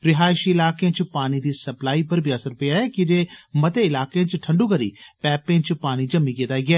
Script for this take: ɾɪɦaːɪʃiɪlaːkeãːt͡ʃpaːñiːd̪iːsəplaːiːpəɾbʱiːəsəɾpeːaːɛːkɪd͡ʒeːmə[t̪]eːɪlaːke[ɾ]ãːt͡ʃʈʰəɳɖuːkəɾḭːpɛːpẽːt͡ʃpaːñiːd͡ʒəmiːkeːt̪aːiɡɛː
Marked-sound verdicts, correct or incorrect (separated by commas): correct, incorrect